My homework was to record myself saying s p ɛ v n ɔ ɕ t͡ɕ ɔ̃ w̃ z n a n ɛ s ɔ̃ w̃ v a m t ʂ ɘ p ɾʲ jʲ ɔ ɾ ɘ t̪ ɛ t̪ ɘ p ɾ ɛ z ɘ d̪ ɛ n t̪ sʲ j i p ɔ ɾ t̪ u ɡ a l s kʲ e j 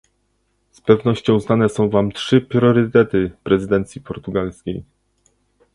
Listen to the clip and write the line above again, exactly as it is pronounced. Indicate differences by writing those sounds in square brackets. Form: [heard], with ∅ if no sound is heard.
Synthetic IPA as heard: s p ɛ v n ɔ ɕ t͡ɕ ɔ̃ w̃ z n a n ɛ s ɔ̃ w̃ v a m t ʂ ɘ p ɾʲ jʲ ɔ ɾ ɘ t̪ ɛ t̪ ɘ p ɾ ɛ z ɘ d̪ ɛ n t̪ sʲ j i p ɔ ɾ t̪ u ɡ a l s kʲ e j